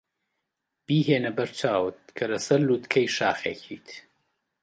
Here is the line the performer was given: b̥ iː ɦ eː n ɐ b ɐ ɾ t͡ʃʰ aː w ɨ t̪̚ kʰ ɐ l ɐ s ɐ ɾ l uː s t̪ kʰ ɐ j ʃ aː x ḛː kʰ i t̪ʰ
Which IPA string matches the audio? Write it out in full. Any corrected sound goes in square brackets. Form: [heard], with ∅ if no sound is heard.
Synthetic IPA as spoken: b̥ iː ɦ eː n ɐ b ɐ ɾ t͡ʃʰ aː w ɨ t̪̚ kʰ ɐ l ɐ s ɐ ɾ l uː [∅] t̪ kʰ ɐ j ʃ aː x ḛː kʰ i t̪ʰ